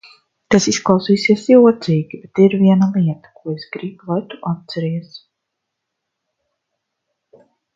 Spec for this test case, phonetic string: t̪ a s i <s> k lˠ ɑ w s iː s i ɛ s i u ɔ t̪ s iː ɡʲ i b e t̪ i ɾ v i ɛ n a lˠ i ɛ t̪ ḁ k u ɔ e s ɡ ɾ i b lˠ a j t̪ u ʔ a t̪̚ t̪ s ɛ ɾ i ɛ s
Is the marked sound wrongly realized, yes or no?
no